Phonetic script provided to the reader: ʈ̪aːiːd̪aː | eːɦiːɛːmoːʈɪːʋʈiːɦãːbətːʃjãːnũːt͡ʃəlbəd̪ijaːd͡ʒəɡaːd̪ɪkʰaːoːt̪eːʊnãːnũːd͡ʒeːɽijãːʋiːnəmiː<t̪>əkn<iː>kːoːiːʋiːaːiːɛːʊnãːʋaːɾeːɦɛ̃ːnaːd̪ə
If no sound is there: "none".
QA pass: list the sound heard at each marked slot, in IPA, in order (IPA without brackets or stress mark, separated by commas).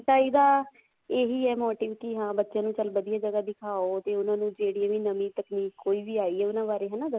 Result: t̪, iː